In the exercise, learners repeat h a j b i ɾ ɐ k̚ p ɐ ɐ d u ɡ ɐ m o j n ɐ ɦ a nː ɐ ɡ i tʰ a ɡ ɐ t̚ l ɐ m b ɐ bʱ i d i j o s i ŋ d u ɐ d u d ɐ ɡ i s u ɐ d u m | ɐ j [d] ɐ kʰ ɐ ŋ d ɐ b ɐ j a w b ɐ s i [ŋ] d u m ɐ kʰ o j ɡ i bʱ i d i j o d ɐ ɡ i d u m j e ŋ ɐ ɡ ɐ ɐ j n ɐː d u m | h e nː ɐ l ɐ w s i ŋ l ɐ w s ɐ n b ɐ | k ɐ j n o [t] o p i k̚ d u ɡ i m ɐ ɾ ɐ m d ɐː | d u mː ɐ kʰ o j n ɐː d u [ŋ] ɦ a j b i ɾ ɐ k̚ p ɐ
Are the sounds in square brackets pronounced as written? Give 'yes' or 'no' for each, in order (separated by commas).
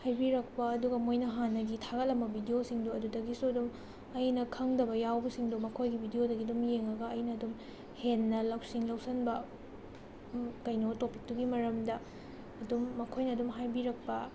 no, yes, yes, no